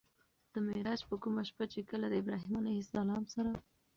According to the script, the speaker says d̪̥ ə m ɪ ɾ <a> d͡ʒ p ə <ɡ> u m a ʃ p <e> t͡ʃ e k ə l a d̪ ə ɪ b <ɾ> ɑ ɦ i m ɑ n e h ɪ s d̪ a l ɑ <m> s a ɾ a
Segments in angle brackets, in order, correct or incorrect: incorrect: ɑ, incorrect: k, incorrect: a, correct, correct

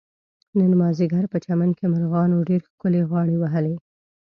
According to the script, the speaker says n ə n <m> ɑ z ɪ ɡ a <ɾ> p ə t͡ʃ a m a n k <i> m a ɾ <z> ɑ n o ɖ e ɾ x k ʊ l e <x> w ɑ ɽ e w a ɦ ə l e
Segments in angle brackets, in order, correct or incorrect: correct, correct, incorrect: e, incorrect: ɣ, incorrect: ɣ

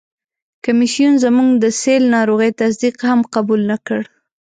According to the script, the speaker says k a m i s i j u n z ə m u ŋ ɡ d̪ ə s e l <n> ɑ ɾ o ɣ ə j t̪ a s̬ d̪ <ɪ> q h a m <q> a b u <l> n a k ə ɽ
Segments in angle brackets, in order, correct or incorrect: correct, incorrect: i, correct, correct

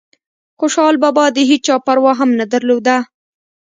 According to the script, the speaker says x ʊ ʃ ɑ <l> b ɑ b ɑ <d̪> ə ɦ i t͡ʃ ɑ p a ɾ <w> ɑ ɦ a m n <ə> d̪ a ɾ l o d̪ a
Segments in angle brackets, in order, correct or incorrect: correct, correct, correct, incorrect: a

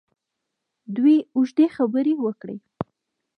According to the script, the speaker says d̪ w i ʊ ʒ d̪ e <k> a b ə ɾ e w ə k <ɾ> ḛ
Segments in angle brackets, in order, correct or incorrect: incorrect: x, incorrect: ɽ

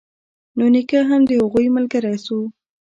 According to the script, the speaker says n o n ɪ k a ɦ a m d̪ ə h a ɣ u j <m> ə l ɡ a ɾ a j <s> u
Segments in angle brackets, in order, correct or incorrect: correct, correct

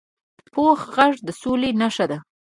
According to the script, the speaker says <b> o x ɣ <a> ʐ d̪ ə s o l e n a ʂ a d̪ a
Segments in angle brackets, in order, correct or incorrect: incorrect: p, correct

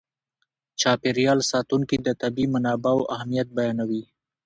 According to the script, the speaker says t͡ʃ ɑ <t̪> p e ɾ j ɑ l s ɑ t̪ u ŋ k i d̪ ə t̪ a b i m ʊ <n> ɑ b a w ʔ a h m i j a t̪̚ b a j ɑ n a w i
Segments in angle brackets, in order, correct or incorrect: incorrect: none, correct

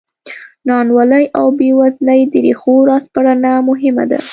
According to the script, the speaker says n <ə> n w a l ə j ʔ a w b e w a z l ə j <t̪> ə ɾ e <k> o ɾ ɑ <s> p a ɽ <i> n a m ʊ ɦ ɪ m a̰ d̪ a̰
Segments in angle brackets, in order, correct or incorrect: incorrect: ɑ, incorrect: d̪, incorrect: x, correct, incorrect: a

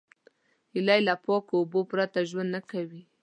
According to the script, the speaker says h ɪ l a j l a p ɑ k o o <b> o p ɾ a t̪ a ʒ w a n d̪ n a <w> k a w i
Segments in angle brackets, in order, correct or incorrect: correct, incorrect: none

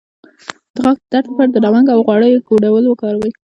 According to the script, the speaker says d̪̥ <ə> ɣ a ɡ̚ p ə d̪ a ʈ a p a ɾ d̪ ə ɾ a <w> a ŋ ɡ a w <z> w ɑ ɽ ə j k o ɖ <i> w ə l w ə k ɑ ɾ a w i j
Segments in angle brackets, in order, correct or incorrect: correct, correct, incorrect: ɣ, incorrect: a

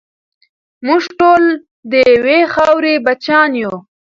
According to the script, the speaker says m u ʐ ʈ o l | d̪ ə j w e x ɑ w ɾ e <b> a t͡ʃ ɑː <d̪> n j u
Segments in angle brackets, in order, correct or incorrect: correct, incorrect: none

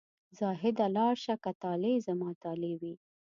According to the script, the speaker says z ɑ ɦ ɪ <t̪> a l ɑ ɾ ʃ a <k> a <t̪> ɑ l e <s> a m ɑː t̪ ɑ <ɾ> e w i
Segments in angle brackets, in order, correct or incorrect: incorrect: d̪, correct, correct, incorrect: z, incorrect: l

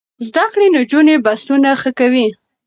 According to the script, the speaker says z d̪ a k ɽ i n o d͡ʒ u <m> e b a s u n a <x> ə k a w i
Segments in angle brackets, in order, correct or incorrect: incorrect: n, correct

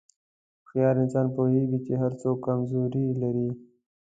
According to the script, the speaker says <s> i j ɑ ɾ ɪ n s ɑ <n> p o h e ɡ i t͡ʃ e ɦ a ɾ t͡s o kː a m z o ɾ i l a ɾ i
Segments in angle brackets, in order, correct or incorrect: incorrect: x, correct

